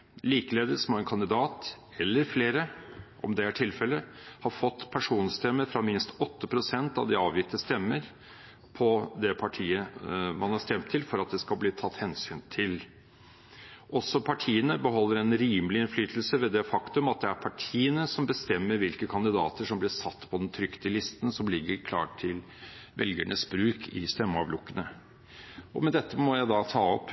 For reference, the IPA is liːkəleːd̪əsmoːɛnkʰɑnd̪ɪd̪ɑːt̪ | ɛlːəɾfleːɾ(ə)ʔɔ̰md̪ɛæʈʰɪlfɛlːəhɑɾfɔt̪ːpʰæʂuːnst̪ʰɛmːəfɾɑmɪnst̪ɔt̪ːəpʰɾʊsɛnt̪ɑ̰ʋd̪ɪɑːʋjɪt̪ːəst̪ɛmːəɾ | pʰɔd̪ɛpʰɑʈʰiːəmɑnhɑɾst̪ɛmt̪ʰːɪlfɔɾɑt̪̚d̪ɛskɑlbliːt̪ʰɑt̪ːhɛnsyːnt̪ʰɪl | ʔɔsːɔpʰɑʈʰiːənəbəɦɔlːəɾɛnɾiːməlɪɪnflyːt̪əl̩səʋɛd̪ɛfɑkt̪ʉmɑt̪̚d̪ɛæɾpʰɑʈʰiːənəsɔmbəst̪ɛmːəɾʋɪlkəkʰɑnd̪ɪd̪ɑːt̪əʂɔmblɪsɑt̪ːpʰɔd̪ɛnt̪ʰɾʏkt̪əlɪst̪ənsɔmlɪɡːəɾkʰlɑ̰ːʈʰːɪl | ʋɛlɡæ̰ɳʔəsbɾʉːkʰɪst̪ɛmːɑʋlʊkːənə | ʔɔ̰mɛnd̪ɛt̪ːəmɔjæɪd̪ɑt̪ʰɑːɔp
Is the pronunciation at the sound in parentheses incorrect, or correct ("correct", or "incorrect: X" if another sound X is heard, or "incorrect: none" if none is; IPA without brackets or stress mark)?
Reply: correct